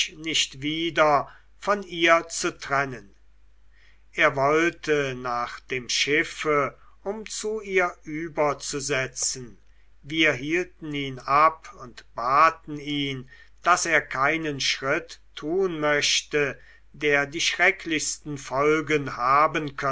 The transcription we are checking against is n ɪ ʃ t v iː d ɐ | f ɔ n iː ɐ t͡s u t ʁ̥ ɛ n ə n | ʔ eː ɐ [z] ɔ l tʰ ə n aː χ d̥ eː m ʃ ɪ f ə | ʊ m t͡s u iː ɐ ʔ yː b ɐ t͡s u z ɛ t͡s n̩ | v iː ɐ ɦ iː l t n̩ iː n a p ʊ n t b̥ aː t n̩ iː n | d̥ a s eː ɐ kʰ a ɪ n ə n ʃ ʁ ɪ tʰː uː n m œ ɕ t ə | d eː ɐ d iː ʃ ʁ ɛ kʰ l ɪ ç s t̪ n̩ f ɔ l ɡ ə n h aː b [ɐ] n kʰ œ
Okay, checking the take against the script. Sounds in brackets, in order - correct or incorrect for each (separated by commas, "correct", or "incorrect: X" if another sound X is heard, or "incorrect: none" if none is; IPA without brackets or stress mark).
incorrect: v, incorrect: ə